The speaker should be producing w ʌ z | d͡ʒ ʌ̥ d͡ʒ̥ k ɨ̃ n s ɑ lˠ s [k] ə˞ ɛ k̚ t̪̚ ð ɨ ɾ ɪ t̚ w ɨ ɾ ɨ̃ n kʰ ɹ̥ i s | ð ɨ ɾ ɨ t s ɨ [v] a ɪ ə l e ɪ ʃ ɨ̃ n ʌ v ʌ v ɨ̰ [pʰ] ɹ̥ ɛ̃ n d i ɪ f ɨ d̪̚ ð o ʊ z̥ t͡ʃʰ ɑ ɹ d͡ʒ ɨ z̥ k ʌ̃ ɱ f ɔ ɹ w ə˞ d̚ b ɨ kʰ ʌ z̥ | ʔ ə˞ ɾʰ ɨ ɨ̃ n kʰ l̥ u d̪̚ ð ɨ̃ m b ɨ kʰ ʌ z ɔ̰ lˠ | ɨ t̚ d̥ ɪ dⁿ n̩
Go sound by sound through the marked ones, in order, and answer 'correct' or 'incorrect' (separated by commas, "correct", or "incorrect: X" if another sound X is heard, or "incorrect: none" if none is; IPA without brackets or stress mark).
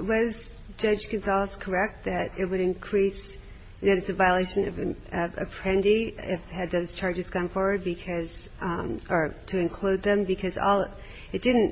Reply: incorrect: kʰ, correct, correct